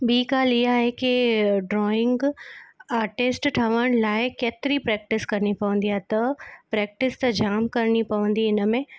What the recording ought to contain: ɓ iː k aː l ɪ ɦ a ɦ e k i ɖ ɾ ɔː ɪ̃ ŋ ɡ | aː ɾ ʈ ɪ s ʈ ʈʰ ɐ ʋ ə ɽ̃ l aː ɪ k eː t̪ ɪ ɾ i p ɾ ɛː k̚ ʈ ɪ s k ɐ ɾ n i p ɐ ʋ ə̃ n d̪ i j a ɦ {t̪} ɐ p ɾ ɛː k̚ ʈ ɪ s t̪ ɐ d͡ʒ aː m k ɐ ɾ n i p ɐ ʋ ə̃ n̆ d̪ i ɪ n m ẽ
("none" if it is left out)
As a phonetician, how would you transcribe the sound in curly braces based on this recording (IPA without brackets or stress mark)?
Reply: t̪